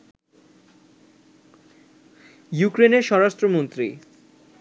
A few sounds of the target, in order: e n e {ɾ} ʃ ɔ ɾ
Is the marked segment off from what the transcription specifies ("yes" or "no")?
no